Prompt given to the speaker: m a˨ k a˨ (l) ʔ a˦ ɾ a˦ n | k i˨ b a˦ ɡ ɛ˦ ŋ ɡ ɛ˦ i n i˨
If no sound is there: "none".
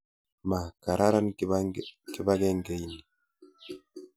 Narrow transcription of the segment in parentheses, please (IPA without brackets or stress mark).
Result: ɾ